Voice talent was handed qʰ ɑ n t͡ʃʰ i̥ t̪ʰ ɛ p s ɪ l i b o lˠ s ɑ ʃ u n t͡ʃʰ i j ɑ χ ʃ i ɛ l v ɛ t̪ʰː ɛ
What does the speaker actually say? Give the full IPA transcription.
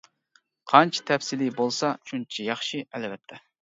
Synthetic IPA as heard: qʰ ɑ n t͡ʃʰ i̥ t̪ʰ ɛ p s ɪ l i b o lˠ s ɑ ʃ u n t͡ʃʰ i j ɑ χ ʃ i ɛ l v ɛ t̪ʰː ɛ